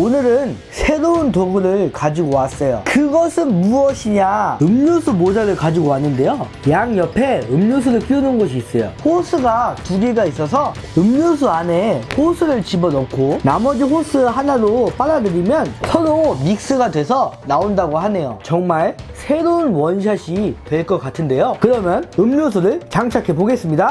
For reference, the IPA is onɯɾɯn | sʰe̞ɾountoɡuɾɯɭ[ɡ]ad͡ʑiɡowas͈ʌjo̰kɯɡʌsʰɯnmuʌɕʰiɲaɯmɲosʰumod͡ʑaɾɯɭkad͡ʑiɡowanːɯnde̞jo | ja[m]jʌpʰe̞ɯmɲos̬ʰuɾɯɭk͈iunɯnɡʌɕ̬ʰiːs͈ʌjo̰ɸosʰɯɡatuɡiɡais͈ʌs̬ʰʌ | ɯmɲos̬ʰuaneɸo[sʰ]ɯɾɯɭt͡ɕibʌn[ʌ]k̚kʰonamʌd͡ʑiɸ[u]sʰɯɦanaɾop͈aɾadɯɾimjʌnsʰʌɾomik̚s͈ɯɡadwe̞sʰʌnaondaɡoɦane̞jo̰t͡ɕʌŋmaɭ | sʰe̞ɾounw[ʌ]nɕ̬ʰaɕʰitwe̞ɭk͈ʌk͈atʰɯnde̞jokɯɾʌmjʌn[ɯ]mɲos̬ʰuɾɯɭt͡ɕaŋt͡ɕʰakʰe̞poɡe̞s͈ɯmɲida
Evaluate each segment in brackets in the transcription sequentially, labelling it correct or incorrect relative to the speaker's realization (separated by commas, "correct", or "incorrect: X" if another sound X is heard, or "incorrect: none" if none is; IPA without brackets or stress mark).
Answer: incorrect: k, incorrect: ŋ, correct, correct, incorrect: o, correct, correct